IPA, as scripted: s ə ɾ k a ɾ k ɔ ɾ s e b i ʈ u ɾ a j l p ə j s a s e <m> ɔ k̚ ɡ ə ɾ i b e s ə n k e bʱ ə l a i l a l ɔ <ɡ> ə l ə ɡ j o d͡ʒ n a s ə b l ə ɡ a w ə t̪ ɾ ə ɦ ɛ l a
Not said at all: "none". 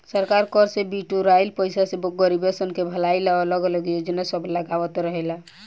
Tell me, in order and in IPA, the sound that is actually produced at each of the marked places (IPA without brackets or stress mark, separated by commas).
b, ɡ